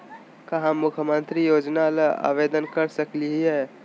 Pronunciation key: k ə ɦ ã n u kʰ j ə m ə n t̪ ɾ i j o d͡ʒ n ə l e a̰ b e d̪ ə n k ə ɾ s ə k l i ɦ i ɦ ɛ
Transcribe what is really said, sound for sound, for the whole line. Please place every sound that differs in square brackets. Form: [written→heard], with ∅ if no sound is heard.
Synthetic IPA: k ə ɦ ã [n→m] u kʰ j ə m ə n t̪ ɾ i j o d͡ʒ n [ə→a] l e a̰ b e d̪ ə n k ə ɾ s ə k l i ɦ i ɦ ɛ